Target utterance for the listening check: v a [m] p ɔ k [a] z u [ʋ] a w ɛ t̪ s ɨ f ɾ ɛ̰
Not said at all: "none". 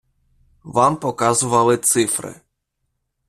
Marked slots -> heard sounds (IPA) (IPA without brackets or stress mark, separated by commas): m, a, v